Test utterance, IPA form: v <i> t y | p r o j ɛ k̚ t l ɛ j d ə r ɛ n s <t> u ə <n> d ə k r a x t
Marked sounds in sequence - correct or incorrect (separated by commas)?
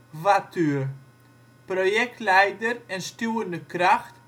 incorrect, correct, correct